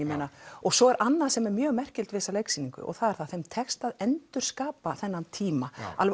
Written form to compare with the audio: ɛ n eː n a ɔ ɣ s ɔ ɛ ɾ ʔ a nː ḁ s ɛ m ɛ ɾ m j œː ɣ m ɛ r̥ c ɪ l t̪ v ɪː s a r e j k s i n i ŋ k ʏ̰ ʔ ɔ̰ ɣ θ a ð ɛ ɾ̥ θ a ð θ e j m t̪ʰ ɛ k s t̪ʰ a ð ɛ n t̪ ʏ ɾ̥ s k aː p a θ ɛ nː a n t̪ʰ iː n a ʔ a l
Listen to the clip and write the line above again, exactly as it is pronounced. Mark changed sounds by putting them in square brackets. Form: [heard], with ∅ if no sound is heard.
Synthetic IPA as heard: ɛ [m] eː n a ɔ ɣ s ɔ ɛ ɾ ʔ a nː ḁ s ɛ m ɛ ɾ m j œː ɣ m ɛ r̥ c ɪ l t̪ v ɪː s a [l] e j k s i n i ŋ k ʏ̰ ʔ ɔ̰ ɣ θ a ð ɛ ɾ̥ θ a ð θ e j m t̪ʰ ɛ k s [t̪] a ð ɛ n t̪ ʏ ɾ̥ s k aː p a θ ɛ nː a n t̪ʰ iː [m] a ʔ a l